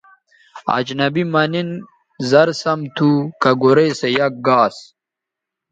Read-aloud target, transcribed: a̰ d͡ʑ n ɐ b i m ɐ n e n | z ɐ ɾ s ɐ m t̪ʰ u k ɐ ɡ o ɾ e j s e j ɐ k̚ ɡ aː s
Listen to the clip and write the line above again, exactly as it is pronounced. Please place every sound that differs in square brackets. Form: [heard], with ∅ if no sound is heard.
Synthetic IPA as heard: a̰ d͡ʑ n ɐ b i m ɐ n [i] n | z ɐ ɾ s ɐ m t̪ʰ u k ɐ ɡ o ɾ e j s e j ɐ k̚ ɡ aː s